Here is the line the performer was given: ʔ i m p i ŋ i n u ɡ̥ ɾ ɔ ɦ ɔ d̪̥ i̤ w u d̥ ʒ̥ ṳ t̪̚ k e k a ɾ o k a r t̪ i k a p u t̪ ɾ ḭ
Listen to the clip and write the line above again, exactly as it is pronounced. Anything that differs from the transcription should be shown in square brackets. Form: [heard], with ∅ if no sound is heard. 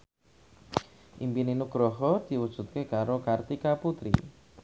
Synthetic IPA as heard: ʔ i m p i [n] i n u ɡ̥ ɾ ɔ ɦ ɔ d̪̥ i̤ w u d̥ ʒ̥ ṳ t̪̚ k e k a ɾ o k a r t̪ i k a p u t̪ ɾ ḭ